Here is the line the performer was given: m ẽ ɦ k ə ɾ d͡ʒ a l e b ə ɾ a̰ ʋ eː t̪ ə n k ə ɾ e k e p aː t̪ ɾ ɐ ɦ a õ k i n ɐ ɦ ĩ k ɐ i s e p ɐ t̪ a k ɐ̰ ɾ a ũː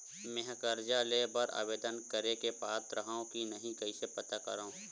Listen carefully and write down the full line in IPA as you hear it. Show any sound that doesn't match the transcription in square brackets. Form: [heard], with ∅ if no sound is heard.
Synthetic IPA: m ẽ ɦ k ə ɾ d͡ʒ a l e b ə ɾ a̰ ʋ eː [d̪] ə n k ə ɾ e k e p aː t̪ ɾ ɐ ɦ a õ k i n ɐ ɦ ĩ k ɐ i s e p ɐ t̪ a k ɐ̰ ɾ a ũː